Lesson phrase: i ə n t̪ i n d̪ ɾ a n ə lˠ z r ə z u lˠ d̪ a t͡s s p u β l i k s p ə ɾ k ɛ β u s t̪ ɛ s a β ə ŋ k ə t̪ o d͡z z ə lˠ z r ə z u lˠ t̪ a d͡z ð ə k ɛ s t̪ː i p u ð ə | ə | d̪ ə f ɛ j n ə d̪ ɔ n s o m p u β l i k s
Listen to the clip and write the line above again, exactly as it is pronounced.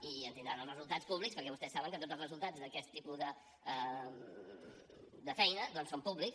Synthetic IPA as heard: i ə n t̪ i n d̪ ɾ a n ə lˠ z r ə z u lˠ t̪ a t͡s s p u β l i k s p ə ɾ k ɛ β u s t̪ ɛ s a β ə ŋ k ə t̪ o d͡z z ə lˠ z r ə z u lˠ t̪ a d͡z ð ə k ɛ s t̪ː i p u ð ə | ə | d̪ ə f ɛ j n ə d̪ ɔ n s o m p u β l i k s